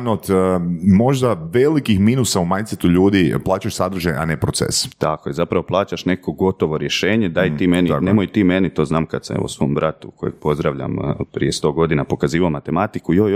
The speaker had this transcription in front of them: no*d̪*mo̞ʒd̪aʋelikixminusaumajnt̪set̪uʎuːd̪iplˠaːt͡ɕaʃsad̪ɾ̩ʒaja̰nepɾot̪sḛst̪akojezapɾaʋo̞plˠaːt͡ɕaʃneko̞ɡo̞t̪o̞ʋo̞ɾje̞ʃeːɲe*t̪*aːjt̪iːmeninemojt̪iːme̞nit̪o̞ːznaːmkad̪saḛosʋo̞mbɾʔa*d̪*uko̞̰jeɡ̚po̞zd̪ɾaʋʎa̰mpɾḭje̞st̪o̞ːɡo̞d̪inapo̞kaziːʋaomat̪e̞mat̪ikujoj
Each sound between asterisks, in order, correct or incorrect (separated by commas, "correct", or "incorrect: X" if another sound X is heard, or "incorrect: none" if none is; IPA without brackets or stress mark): incorrect: t̪, incorrect: d̪, incorrect: t̪